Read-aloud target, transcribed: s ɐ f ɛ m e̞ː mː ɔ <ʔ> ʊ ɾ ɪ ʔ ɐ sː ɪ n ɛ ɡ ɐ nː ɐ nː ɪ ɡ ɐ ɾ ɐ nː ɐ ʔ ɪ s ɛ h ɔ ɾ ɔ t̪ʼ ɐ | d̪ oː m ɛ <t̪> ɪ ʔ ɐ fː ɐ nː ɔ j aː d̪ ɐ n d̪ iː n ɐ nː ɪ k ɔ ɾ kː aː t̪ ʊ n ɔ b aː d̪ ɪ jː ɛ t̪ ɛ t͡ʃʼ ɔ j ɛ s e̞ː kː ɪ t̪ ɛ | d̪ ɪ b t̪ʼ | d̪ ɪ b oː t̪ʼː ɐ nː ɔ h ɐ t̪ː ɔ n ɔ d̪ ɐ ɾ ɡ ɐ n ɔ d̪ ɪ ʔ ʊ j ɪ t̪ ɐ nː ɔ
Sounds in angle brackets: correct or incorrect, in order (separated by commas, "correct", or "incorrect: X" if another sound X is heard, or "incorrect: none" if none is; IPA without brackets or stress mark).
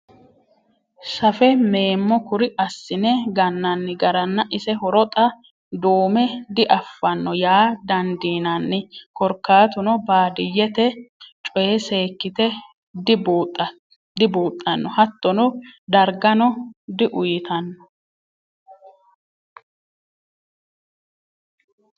incorrect: k, incorrect: d̪